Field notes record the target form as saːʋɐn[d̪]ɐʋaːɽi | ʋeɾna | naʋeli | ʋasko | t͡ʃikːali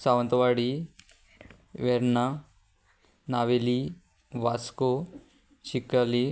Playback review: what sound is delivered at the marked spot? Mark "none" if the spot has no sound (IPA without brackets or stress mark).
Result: t̪